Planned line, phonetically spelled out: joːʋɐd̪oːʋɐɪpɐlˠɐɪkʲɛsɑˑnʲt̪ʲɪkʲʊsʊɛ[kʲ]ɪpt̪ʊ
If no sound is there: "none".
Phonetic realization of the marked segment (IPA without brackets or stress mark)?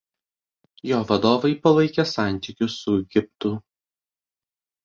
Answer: ɡʲ